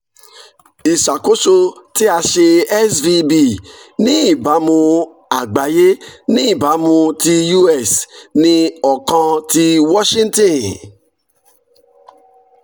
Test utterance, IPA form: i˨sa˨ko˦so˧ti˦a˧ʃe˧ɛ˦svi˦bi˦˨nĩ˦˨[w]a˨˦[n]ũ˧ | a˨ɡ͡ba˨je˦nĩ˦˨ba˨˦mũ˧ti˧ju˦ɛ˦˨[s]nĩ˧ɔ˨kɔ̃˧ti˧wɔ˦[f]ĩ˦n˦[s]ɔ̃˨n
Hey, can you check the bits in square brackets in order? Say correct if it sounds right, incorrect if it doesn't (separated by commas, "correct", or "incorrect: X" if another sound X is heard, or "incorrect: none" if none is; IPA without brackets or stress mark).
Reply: incorrect: b, incorrect: m, correct, incorrect: ʃ, incorrect: t